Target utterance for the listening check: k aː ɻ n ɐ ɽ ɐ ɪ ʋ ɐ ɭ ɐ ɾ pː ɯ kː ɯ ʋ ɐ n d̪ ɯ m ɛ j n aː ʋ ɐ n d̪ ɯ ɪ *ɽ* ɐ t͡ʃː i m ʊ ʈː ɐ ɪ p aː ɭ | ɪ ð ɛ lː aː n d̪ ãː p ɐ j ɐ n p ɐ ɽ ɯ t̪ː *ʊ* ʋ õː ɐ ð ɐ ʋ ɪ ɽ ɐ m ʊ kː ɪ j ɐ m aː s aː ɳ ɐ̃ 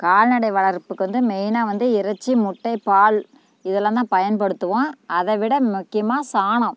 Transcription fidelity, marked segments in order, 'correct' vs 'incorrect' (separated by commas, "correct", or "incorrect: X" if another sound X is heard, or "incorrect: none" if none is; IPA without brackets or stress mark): incorrect: ɾ, incorrect: ɯ